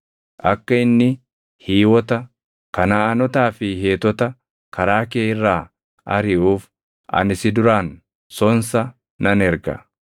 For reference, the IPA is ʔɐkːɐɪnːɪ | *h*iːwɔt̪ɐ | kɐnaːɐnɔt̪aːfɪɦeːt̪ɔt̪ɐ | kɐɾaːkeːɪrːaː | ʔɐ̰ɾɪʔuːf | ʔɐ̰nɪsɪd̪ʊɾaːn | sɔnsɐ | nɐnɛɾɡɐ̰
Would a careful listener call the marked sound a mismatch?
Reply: no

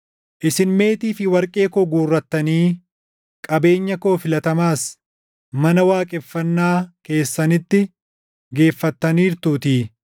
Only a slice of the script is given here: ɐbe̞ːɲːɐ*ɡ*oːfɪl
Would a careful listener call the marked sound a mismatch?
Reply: yes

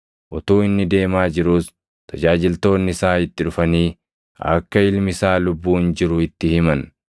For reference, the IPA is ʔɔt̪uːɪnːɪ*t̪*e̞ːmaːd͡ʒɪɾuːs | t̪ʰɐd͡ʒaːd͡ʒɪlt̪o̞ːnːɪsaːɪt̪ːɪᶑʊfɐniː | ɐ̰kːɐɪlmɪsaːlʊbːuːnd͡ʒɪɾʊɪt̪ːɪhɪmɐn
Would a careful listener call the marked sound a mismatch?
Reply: yes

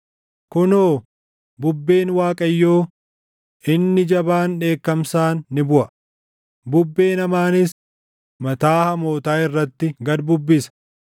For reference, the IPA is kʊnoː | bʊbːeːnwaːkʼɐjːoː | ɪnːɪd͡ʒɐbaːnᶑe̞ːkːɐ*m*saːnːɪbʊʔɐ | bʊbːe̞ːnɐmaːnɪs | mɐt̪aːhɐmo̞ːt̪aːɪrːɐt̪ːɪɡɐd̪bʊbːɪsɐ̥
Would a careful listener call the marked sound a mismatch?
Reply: no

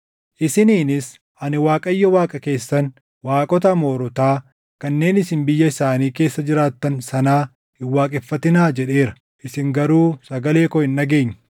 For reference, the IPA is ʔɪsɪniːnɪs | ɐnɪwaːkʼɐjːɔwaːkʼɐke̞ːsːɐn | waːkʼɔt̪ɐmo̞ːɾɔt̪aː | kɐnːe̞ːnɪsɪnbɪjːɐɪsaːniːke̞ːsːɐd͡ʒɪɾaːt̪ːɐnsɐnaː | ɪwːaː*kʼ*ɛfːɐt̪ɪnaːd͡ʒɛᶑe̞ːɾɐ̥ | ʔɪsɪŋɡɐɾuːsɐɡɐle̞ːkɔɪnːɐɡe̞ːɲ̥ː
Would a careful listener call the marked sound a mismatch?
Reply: no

